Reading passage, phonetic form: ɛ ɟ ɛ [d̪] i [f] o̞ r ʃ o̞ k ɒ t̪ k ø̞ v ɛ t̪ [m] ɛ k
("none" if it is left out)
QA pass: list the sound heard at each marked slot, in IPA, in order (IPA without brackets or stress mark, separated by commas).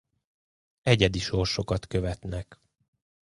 d̪, ʃ, n